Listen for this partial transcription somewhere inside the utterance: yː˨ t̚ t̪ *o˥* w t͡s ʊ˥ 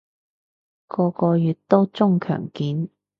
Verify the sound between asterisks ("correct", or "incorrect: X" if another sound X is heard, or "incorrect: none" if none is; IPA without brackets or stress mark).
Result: correct